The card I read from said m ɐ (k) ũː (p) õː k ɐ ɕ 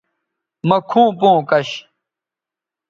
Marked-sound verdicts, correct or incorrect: incorrect: kʰ, correct

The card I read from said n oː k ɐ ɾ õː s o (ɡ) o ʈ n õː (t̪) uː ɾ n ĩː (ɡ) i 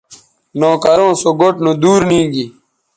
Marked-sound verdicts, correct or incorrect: correct, incorrect: d̪, correct

